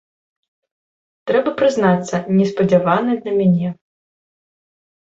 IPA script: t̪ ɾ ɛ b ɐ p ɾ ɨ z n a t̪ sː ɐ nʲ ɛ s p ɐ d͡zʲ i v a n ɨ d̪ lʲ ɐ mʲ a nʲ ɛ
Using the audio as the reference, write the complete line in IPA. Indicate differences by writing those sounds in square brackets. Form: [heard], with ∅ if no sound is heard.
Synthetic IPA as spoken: t̪ ɾ ɛ b ɐ p ɾ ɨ z n a t̪ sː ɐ nʲ ɛ s p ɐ d͡zʲ [a] v a n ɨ d̪ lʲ ɐ mʲ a nʲ ɛ

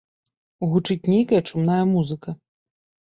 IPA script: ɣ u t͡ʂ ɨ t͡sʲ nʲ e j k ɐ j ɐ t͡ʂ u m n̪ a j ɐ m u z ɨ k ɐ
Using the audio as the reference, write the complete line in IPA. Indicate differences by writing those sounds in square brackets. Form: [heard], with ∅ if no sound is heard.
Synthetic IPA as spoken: ɣ u t͡ʂ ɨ t͡sʲ nʲ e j k ɐ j ɐ t͡ʂ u m n̪ a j ɐ m u z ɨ k ɐ

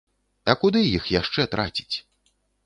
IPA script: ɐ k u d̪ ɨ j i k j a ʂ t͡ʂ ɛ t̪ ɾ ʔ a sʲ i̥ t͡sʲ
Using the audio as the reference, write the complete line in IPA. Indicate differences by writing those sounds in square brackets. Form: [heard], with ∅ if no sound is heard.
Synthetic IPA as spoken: ɐ k u d̪ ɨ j i [x] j a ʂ t͡ʂ ɛ t̪ ɾ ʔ a [t͡sʲ] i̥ t͡sʲ

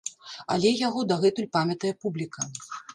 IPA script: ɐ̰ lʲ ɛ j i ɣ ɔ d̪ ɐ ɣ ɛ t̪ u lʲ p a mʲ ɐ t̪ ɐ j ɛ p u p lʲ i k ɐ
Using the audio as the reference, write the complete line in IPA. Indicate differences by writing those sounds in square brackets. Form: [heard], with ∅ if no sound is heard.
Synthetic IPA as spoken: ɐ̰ lʲ ɛ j [a] ɣ ɔ d̪ ɐ ɣ ɛ t̪ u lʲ p a mʲ ɐ t̪ ɐ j ɛ p u [b] lʲ i k ɐ

